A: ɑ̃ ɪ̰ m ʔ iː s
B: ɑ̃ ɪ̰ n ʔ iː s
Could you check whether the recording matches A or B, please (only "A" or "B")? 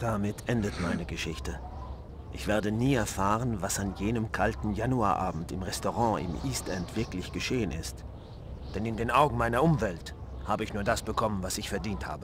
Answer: A